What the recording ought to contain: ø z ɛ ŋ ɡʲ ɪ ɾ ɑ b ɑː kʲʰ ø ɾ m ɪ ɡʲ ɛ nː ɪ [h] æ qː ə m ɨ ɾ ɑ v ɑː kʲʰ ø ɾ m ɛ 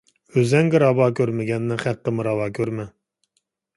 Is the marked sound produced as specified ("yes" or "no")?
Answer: no